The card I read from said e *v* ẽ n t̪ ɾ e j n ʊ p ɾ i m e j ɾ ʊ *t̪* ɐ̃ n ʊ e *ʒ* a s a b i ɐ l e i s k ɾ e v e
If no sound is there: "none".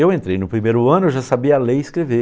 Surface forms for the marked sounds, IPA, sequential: w, none, ʒ

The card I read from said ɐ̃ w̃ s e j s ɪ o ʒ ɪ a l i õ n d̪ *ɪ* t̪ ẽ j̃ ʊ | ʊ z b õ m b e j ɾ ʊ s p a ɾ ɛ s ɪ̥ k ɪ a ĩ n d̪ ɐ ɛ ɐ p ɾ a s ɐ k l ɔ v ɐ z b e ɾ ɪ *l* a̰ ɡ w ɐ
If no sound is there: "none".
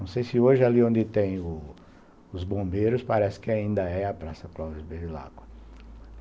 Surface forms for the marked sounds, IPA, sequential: ɪ, l

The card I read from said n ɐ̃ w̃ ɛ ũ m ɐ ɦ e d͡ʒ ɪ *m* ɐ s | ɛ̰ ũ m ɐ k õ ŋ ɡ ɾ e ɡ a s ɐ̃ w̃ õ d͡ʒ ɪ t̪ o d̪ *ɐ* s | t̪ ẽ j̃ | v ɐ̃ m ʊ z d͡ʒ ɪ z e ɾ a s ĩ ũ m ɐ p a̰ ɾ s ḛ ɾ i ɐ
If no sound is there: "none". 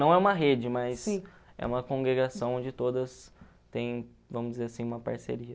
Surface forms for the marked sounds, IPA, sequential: m, ɐ

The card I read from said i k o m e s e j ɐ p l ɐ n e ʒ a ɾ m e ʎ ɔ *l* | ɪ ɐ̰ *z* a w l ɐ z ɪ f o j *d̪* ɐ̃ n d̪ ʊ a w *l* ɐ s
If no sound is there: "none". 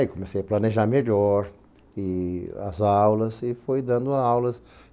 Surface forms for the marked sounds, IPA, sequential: ɾ, z, d̪, l

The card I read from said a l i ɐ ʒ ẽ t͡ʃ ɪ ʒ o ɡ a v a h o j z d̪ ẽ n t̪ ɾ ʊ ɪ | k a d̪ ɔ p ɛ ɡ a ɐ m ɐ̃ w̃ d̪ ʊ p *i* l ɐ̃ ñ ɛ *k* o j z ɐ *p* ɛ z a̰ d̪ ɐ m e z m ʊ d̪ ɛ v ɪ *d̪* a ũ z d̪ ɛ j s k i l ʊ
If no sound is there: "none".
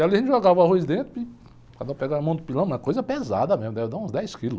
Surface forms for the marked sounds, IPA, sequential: i, k, p, d̪

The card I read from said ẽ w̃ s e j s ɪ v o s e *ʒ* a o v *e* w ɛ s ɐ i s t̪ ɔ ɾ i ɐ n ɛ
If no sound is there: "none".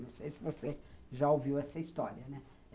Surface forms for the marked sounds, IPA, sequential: ʒ, i

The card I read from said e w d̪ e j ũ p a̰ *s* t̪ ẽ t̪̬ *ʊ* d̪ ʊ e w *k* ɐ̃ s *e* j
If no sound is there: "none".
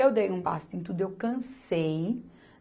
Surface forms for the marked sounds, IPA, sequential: s, u, k, e

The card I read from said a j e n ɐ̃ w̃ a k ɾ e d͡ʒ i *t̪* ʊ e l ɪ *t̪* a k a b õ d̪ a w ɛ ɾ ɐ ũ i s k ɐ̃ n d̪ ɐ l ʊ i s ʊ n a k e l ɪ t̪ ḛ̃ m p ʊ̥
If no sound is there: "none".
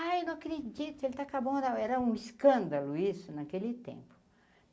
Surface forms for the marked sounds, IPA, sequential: t̪, t̪

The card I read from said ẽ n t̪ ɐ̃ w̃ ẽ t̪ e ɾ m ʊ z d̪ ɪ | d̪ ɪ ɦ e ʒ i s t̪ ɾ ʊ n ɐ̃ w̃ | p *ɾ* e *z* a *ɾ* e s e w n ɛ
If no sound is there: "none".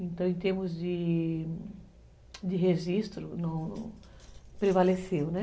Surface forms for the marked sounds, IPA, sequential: ɾ, v, l

